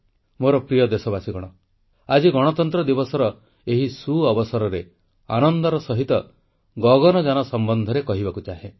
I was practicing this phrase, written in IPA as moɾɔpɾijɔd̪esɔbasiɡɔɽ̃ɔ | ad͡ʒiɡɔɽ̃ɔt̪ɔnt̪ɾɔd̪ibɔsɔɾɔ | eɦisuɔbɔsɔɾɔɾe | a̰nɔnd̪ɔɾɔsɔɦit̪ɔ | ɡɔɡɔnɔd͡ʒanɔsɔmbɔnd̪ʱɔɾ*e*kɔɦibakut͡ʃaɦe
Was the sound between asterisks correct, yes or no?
yes